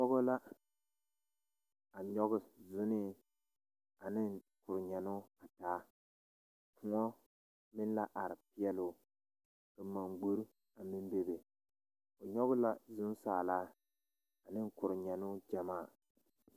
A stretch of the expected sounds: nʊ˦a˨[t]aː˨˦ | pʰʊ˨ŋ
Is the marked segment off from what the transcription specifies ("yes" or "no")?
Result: no